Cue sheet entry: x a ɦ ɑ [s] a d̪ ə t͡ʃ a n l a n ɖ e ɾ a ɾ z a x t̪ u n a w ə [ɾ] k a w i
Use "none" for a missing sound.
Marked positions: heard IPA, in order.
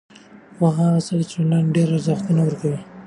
s, ɾ

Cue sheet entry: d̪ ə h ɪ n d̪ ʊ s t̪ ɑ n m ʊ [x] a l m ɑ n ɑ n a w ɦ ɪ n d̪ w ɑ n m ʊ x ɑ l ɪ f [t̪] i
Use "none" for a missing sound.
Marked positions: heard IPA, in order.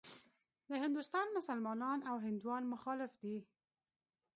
s, d̪

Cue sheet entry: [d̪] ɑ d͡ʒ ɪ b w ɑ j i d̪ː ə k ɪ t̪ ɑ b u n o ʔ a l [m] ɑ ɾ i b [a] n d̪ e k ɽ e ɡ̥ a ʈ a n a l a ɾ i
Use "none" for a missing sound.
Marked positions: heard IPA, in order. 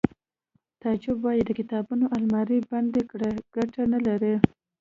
t̪, m, a

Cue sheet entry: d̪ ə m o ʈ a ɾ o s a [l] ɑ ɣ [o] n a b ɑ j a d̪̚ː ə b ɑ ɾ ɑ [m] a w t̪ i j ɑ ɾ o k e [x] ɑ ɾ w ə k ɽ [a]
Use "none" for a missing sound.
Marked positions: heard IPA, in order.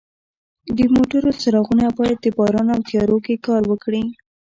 ɾ, u, n, k, i

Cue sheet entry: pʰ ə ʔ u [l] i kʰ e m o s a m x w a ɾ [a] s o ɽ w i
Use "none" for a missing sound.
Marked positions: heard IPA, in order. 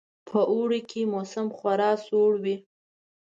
ɽ, ɑ

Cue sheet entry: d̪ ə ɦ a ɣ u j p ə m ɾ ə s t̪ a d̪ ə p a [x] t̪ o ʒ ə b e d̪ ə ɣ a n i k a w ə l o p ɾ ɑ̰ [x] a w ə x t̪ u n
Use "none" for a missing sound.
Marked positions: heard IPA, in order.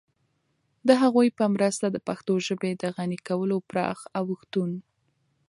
x, x

